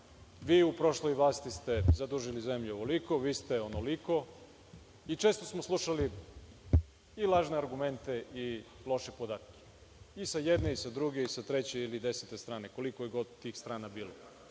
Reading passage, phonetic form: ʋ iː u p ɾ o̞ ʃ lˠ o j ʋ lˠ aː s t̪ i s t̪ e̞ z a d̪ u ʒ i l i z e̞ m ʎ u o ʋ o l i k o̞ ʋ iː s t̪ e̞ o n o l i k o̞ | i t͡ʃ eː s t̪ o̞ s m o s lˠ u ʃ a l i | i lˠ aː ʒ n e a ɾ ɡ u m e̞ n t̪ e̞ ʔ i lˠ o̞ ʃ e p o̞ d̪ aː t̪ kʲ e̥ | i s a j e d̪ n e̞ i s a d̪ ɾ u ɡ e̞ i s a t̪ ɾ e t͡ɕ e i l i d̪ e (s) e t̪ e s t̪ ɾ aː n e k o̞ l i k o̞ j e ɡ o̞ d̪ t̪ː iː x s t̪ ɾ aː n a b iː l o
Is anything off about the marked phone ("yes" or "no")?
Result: no